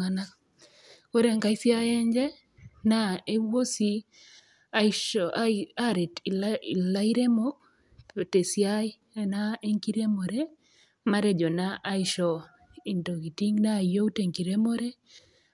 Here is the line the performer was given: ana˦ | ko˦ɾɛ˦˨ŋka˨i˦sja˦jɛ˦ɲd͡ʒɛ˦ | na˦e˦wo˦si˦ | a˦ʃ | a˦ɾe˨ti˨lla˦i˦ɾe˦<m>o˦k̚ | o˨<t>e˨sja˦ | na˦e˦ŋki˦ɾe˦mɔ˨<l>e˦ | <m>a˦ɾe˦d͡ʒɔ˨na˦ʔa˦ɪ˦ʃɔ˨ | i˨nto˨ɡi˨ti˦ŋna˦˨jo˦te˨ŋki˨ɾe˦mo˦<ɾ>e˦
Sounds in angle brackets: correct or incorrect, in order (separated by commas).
correct, correct, incorrect, correct, correct